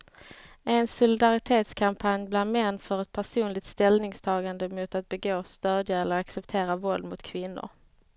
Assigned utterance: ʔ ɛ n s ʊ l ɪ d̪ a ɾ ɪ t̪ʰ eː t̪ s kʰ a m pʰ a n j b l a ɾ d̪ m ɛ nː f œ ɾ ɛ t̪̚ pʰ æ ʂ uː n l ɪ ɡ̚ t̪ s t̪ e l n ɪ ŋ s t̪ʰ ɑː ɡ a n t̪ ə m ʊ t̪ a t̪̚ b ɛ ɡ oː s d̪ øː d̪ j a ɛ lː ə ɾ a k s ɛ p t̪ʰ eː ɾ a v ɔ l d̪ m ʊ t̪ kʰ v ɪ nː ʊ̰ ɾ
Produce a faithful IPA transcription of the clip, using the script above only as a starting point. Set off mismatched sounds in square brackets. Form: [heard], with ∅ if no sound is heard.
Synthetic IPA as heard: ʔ ɛ n s ʊ l ɪ d̪ a ɾ ɪ t̪ʰ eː t̪ s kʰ a m pʰ a n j b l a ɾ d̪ m ɛ nː f œ ɾ ɛ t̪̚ pʰ æ ʂ uː n l ɪ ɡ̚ t̪ s t̪ [ɛ] l n ɪ ŋ s t̪ʰ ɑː ɡ a n [d̪] ə m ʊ t̪ a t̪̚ b ɛ ɡ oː s [t̪] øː d̪ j a ɛ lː ə ɾ a k s ɛ p t̪ʰ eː ɾ a v ɔ l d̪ m ʊ t̪ kʰ v ɪ nː ʊ̰ ɾ